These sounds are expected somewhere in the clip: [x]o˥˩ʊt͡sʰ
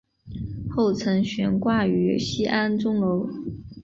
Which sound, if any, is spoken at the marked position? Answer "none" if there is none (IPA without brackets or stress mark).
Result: x